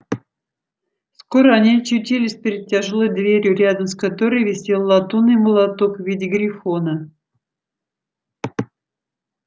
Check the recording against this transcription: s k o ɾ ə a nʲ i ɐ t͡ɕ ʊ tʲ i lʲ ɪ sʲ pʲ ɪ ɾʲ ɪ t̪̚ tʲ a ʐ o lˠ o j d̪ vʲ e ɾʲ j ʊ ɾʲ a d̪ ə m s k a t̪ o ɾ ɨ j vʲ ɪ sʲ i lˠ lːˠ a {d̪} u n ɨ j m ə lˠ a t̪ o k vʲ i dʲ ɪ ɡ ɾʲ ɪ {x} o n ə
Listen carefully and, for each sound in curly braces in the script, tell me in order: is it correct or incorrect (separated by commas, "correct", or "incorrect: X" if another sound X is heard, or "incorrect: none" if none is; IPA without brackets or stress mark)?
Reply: incorrect: t̪, incorrect: f